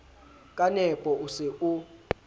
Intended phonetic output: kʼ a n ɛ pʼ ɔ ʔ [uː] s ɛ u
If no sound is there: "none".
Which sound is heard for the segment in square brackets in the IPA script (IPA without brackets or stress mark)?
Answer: u